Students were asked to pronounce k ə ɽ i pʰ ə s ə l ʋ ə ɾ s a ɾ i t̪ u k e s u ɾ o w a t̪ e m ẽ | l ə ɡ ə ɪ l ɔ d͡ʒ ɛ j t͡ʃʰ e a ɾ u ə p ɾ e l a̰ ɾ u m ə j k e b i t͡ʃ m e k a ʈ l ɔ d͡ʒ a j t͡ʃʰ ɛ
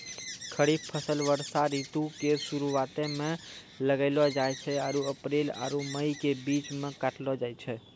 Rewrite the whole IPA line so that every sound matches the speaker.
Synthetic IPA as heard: kʰ ə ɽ i pʰ ə s ə l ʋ ə ɾ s a ɾ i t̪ u k e s u ɾ u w a t̪ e m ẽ | l ə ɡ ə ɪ l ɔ d͡ʒ a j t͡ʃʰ ɛ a ɾ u ə p ɾ e l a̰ ɾ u m ə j k e b i t͡ʃ m e k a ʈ l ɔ d͡ʒ a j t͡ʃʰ ɛ